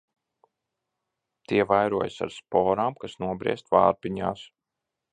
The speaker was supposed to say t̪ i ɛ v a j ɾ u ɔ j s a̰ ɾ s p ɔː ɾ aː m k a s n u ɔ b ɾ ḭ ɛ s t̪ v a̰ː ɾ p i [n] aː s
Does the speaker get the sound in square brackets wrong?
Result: yes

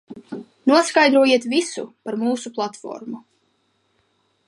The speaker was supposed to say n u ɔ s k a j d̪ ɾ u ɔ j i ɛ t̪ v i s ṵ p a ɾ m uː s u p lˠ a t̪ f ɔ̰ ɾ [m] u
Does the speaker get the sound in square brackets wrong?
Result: no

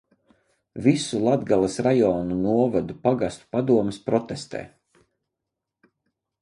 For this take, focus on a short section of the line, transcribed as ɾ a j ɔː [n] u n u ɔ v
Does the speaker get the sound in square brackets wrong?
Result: no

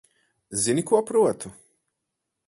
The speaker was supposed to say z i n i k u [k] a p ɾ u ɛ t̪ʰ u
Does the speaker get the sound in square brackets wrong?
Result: yes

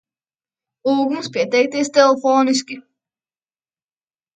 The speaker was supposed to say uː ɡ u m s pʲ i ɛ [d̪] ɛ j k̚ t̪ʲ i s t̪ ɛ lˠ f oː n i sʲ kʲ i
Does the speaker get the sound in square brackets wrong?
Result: yes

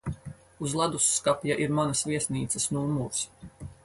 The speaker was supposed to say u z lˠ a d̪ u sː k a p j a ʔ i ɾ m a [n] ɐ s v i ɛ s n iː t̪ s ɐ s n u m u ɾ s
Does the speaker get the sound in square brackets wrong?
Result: no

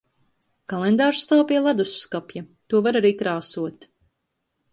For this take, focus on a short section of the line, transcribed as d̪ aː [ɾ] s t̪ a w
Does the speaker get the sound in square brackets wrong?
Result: no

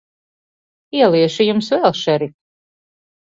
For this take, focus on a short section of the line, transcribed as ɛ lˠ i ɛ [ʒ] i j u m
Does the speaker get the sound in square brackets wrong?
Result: yes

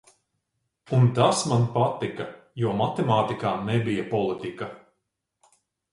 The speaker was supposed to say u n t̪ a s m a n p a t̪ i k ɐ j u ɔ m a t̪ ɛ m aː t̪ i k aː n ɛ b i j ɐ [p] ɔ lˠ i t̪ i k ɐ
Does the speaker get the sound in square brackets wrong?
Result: no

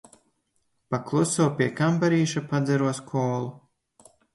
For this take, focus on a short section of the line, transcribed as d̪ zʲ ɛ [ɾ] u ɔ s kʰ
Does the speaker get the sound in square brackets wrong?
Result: no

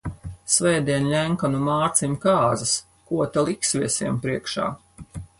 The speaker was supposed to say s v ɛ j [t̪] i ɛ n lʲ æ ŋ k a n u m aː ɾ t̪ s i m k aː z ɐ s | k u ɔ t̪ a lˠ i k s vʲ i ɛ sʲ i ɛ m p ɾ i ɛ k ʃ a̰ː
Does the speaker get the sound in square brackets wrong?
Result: yes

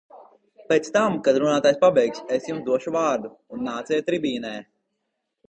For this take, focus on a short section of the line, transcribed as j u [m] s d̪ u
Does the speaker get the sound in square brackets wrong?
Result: no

